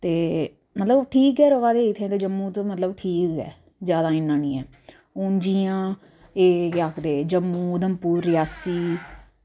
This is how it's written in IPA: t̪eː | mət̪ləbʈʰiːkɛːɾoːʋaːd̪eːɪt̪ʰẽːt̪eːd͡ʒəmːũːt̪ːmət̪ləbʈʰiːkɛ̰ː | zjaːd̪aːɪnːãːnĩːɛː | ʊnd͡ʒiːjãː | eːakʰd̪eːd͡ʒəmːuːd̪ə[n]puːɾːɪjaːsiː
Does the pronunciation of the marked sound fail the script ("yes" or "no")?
yes